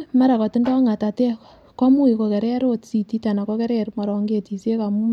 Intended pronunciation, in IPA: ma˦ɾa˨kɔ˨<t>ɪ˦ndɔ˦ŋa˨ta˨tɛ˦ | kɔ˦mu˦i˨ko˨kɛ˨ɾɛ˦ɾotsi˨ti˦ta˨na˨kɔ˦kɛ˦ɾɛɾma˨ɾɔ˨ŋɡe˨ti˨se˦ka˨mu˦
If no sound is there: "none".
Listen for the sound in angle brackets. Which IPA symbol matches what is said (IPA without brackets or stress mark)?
t